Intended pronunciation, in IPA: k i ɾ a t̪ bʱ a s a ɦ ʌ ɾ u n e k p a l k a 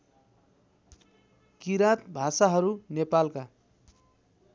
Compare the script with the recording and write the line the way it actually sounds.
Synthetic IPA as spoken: k i ɾ a t̪ bʱ a s a ɦ ʌ ɾ u n e p a l k a